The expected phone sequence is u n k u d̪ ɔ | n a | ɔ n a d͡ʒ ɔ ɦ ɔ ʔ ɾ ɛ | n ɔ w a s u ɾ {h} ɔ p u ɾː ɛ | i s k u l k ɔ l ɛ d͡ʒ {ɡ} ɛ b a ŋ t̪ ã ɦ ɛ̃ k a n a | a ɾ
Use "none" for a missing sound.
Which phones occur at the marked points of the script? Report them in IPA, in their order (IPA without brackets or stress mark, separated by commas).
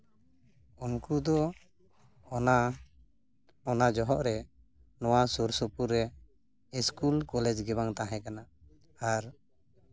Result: s, ɡ